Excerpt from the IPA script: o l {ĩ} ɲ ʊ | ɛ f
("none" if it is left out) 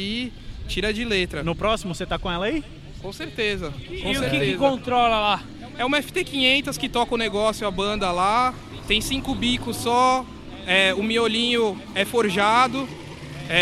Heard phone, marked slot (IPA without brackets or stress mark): ĩ